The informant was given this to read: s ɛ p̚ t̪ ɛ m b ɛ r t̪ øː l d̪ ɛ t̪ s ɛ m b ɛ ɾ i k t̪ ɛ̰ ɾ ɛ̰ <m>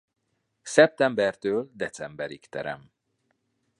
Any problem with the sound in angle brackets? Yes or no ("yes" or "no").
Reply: no